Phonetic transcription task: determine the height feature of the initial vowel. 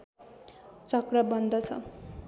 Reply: mid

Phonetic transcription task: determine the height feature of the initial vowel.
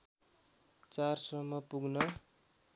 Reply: low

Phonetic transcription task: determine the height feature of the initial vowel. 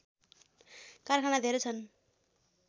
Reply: low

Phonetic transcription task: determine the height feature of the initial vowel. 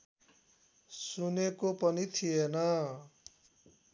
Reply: high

